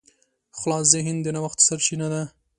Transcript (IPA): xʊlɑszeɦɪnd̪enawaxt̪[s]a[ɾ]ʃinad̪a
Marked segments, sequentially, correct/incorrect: correct, correct

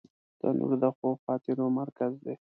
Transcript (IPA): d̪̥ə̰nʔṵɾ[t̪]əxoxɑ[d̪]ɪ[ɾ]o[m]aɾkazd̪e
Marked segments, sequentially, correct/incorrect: incorrect, incorrect, correct, correct

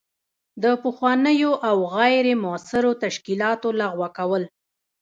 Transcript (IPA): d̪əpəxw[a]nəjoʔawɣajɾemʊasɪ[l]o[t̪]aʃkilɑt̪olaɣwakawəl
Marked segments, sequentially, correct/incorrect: incorrect, incorrect, correct

